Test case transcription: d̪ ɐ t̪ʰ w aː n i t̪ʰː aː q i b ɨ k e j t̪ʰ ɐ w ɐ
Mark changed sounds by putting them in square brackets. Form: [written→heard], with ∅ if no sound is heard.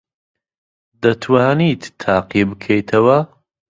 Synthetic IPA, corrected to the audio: d̪ ɐ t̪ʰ w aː n i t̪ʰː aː q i b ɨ [k→kʰ] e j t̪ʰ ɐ w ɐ